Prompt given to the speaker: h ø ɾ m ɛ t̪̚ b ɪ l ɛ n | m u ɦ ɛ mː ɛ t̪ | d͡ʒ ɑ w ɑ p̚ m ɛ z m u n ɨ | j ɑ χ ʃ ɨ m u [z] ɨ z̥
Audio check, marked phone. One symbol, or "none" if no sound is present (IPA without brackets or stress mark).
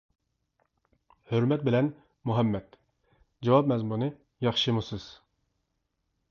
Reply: s